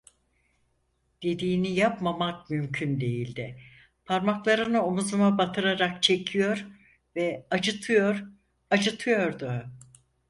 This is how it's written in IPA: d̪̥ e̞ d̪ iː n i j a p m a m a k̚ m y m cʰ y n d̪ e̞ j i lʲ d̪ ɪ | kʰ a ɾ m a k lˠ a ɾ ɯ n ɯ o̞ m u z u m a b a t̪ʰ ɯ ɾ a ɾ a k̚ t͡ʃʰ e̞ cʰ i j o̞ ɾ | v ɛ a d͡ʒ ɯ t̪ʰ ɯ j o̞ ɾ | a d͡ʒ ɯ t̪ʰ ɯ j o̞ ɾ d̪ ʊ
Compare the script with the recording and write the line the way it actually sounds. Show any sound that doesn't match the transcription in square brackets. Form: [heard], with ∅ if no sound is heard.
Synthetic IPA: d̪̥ e̞ d̪ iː n i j a p m a m a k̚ m y m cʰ y n d̪ e̞ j i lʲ d̪ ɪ | [pʰ] a ɾ m a k lˠ a ɾ ɯ n ɯ o̞ m u z u m a b a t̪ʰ ɯ ɾ a ɾ a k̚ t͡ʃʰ e̞ cʰ i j o̞ ɾ | v ɛ a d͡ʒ ɯ t̪ʰ ɯ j o̞ ɾ | a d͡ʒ ɯ t̪ʰ ɯ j o̞ ɾ d̪ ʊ